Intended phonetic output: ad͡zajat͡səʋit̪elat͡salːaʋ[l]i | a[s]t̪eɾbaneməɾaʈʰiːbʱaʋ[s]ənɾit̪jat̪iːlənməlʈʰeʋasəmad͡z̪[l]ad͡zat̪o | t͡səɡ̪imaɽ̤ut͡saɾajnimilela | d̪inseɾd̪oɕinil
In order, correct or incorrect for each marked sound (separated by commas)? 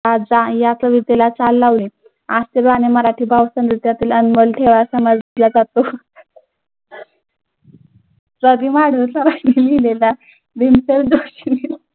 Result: correct, correct, correct, correct